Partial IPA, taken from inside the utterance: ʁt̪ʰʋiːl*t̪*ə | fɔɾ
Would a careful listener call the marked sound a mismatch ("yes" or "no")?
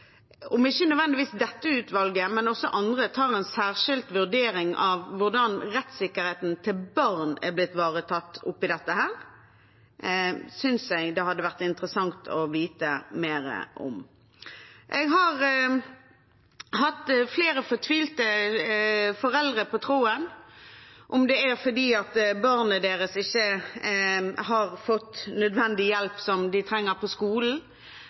no